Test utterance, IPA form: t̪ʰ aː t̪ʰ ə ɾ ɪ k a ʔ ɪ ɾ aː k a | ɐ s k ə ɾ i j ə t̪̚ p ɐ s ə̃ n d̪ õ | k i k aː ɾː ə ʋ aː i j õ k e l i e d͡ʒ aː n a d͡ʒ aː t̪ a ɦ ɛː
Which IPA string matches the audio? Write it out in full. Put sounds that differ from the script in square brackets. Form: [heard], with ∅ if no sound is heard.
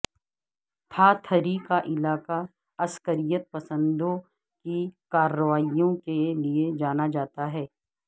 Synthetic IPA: t̪ʰ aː t̪ʰ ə ɾ [i] k a ʔ ɪ [l] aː k a | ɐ s k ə ɾ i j ə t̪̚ p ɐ s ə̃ n d̪ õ | k i k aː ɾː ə ʋ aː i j õ k e l i e d͡ʒ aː n a d͡ʒ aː t̪ a ɦ ɛː